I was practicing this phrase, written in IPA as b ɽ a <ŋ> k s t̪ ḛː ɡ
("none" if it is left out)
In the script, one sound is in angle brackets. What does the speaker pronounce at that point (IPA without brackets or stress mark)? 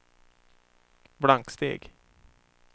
ŋ